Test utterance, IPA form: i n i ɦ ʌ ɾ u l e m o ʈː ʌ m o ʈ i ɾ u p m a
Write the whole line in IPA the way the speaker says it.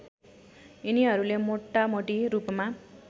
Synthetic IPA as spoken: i n i ɦ ʌ ɾ u l e m o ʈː a m o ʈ i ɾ u p m a